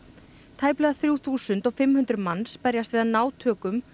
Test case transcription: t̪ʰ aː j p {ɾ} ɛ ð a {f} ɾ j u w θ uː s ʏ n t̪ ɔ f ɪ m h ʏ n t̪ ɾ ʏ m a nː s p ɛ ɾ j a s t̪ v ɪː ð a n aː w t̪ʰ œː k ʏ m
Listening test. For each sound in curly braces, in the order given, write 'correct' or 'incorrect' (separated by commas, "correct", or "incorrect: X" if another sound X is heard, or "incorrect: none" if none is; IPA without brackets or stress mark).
incorrect: l, incorrect: θ